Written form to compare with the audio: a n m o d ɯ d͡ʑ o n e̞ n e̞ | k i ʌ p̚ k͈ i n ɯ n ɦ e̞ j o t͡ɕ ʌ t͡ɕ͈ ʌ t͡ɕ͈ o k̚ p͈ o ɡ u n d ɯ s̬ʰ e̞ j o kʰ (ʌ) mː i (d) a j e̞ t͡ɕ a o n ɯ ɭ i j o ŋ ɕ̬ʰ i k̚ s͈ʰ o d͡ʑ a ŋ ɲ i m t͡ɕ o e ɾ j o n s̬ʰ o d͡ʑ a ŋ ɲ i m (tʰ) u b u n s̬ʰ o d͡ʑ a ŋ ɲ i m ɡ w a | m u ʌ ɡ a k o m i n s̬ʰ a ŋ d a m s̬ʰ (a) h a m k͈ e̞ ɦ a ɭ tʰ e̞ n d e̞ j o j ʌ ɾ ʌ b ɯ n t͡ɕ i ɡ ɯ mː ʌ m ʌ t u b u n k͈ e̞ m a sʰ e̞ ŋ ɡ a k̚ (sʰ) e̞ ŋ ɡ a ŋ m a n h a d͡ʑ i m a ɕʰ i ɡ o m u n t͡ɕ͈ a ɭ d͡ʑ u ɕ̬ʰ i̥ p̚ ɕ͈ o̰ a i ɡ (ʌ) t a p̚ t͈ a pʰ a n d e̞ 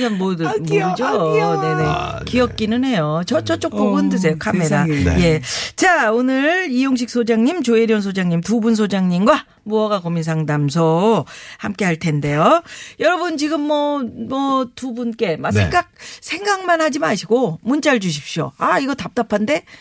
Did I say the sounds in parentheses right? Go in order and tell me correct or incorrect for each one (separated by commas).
incorrect, correct, incorrect, incorrect, correct, correct